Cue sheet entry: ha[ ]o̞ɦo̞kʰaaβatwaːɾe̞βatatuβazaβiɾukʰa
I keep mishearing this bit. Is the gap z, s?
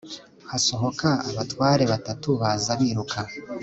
s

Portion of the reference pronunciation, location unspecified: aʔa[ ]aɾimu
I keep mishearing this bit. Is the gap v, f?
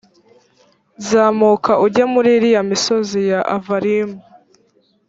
v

